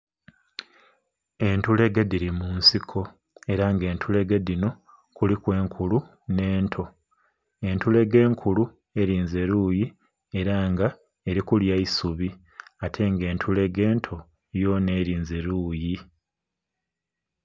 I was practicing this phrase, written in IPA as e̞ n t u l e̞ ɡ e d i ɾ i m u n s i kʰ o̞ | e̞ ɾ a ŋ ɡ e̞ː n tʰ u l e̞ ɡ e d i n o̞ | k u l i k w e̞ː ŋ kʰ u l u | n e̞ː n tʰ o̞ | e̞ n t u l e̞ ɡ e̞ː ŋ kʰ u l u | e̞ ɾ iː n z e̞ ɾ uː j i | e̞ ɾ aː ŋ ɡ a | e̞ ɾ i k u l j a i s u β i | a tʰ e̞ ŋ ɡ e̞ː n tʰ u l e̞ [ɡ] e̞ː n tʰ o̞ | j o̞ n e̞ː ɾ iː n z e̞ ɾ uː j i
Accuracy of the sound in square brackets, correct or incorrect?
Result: correct